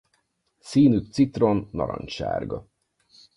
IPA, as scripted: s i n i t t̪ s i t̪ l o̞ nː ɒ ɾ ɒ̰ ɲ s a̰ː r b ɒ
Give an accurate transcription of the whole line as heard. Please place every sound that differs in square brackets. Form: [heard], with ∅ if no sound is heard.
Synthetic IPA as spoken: s [iː] n [y] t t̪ s i t̪ [r] o̞ nː ɒ ɾ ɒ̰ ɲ [ʃ] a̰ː r [ɡ] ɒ